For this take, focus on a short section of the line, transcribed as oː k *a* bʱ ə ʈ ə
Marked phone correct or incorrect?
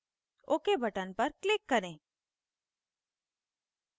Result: incorrect